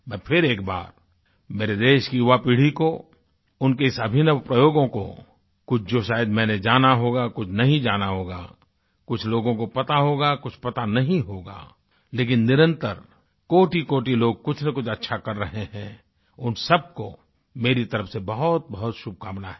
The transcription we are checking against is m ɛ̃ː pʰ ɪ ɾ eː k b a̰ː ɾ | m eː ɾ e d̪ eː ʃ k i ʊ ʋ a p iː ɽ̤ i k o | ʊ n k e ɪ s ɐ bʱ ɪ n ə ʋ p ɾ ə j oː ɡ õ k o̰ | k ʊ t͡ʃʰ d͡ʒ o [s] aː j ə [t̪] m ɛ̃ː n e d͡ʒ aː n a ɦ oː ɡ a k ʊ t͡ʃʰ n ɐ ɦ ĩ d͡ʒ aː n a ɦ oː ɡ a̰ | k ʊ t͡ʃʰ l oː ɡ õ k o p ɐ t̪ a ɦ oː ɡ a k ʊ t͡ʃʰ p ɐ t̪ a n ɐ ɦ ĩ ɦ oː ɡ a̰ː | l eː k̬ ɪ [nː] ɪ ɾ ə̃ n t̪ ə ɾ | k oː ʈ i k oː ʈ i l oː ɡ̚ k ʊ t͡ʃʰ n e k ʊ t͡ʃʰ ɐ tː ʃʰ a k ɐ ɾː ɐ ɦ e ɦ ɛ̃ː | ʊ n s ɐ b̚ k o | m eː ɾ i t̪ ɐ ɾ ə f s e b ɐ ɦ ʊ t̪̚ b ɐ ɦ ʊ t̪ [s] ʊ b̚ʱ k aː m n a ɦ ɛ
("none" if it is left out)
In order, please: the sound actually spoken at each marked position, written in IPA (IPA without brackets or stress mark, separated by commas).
ʃ, d̪, nː, ʃ